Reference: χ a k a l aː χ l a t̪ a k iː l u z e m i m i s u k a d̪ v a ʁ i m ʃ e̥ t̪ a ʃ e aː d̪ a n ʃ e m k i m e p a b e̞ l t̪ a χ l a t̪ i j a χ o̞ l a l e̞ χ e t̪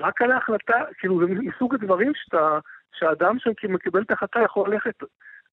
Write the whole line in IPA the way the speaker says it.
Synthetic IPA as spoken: ʁ a k a l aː χ l a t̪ a k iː l u z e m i m i s u ɡ a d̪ v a ʁ i m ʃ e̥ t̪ a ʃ e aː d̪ a m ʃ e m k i m e k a b e̞ l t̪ a χ l a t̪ a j a χ o̞ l a l e̞ χ e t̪